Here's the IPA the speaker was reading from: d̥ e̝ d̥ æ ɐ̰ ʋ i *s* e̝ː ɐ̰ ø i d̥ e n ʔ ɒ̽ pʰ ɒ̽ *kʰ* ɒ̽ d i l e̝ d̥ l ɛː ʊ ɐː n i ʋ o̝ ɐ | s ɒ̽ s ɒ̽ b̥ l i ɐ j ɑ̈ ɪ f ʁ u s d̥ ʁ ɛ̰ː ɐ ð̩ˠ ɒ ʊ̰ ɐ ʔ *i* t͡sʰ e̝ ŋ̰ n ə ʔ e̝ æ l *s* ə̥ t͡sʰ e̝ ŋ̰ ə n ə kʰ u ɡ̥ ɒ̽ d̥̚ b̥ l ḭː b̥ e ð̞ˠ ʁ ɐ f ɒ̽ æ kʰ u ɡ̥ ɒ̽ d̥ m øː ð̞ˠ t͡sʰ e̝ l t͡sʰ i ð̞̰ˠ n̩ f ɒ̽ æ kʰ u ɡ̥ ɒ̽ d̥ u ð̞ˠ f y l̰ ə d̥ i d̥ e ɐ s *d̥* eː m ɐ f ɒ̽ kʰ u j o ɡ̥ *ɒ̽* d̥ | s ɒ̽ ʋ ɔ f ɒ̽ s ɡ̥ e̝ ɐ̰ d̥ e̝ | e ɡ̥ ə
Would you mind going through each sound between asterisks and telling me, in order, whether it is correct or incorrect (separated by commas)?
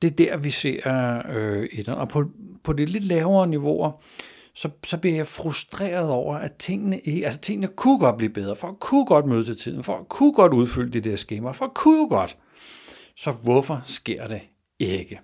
correct, incorrect, incorrect, correct, incorrect, correct